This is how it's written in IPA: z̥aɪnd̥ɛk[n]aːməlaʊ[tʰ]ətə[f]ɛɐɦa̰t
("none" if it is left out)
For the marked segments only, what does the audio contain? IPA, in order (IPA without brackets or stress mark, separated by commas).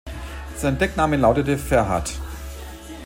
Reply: n, t, f